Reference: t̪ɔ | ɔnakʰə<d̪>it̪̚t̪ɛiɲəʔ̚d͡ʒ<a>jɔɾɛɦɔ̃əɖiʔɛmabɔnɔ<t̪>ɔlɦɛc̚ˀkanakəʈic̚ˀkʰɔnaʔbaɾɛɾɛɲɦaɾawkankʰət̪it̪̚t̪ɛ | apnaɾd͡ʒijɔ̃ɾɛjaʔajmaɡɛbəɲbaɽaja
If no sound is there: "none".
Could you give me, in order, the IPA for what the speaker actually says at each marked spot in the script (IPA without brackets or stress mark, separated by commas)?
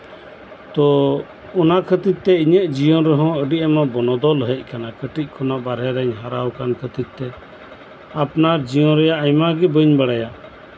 t̪, i, d̪